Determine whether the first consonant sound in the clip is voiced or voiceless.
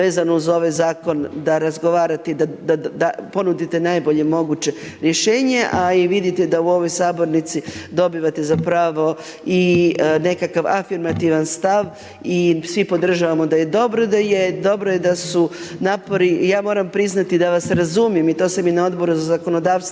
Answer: voiced